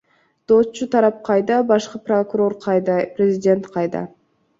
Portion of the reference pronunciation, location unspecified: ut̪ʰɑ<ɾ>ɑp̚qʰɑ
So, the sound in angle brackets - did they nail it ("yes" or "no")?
yes